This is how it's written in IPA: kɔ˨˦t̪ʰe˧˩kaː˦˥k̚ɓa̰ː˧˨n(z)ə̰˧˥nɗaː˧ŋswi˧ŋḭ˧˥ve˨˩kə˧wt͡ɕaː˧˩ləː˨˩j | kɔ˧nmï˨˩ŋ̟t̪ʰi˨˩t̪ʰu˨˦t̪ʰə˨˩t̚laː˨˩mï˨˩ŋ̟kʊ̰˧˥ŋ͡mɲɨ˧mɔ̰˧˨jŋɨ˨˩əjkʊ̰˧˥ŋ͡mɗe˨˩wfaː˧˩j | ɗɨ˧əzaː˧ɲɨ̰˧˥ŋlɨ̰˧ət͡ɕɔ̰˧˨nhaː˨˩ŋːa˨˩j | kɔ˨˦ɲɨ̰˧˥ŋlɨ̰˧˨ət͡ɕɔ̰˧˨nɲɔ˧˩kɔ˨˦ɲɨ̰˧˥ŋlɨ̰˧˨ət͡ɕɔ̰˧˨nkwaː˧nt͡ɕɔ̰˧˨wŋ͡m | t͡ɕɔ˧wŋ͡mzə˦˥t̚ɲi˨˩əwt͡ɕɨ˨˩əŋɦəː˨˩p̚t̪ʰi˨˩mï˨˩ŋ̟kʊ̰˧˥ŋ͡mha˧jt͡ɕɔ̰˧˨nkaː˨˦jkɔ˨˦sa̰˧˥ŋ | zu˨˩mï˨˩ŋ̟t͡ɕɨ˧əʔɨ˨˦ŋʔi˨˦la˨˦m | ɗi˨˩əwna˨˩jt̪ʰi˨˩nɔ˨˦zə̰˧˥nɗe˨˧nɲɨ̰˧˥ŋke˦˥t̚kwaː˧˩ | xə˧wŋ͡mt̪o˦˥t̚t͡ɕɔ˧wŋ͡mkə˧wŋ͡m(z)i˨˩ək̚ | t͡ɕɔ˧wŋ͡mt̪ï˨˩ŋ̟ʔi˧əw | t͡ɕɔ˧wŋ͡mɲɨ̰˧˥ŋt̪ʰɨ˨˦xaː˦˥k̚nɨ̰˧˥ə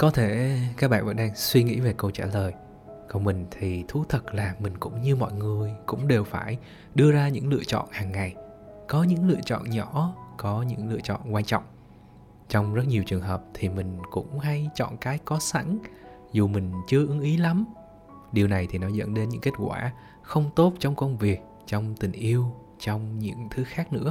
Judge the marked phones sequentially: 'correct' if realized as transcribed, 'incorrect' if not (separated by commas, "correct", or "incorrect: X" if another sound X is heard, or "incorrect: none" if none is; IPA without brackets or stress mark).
incorrect: v, incorrect: v